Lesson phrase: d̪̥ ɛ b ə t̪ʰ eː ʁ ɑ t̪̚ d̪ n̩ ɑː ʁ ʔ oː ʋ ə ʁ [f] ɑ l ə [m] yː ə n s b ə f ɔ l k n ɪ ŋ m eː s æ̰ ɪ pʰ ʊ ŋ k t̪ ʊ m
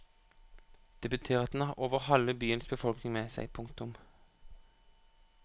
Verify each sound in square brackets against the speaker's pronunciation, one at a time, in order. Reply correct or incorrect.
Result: incorrect: h, incorrect: b

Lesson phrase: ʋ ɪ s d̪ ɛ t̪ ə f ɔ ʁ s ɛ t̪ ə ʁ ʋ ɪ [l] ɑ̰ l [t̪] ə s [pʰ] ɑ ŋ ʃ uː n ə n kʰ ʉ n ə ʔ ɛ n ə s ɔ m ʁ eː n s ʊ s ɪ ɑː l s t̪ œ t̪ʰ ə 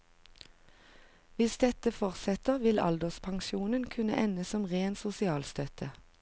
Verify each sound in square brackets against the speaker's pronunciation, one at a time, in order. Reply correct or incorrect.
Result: correct, incorrect: d̪, correct

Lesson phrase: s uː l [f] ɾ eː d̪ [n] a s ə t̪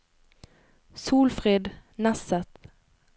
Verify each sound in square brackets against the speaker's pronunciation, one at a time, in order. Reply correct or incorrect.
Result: correct, correct

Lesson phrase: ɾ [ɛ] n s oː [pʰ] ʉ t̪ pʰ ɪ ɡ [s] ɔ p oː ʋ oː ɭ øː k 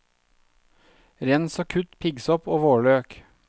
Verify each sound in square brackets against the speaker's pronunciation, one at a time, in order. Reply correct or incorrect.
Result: correct, incorrect: kʰ, correct

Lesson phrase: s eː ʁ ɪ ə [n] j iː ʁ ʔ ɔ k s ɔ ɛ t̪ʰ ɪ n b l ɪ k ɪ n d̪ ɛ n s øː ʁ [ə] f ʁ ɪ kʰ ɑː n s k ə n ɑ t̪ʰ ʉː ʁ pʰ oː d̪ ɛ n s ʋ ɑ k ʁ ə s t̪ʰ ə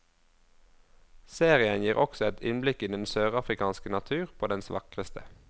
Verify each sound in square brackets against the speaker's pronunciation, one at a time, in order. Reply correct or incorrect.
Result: correct, incorrect: ɑ

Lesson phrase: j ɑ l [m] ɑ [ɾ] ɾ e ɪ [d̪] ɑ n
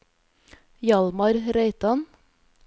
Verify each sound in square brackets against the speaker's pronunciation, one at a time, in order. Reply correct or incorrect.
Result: correct, correct, incorrect: t̪

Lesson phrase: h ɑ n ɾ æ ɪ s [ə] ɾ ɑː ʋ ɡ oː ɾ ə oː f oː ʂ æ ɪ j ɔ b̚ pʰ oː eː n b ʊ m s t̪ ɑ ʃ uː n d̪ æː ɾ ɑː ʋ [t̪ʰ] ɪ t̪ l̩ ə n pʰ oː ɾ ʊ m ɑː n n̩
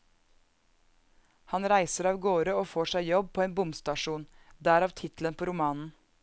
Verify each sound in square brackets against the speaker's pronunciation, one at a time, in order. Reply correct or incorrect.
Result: correct, correct

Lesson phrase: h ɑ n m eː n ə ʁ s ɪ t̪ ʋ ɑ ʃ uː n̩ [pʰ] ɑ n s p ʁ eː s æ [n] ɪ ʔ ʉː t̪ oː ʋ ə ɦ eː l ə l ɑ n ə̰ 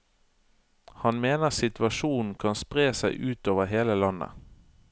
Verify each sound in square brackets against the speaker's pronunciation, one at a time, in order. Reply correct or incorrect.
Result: incorrect: kʰ, incorrect: none

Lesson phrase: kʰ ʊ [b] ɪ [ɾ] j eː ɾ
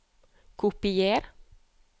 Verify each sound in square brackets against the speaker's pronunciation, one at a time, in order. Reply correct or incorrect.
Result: incorrect: p, incorrect: none

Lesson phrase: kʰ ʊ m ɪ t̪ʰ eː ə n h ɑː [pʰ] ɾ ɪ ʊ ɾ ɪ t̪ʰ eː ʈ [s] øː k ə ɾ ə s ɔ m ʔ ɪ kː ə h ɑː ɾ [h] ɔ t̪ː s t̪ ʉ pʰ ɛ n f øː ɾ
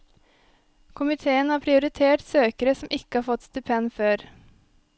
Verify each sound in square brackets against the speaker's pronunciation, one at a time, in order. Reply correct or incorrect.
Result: correct, correct, incorrect: f

